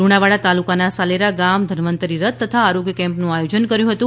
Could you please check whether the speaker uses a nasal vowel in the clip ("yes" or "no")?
yes